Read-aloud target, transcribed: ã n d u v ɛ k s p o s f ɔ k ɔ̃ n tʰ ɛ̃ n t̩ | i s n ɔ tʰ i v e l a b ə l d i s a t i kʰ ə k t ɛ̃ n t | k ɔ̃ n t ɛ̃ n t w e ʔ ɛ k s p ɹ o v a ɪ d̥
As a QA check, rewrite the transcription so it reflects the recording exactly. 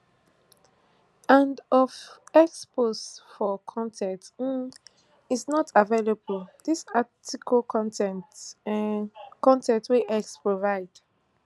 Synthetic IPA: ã n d ɔ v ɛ k s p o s f ɔ kʰ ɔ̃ n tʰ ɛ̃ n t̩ | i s n ɔ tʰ a v e l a b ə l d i s a t i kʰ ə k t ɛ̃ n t | k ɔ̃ n t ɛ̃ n t w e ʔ ɛ k s p ɹ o v a ɪ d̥